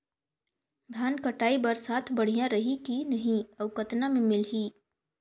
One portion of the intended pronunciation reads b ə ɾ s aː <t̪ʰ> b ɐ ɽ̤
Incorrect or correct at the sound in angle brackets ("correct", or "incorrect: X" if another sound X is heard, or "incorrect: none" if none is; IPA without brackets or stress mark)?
correct